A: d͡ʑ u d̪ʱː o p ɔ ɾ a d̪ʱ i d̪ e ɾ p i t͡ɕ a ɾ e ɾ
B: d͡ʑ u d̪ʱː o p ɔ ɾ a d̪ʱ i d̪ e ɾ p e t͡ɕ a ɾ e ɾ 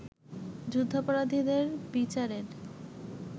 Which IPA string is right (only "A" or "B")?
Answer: A